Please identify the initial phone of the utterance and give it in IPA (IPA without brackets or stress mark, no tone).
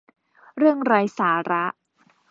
ɾ